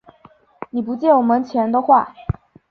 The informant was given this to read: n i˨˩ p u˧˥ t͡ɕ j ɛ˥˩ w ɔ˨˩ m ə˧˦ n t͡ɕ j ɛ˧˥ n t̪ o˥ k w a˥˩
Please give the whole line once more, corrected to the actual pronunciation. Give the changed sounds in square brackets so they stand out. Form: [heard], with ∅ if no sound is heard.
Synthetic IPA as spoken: n i˨˩ p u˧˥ t͡ɕ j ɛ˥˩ w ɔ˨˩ m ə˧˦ n [t͡ɕʰ] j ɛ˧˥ n t̪ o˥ [x] w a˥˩